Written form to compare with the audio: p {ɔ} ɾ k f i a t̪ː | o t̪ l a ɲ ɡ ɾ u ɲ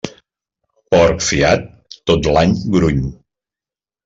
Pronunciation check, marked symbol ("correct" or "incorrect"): correct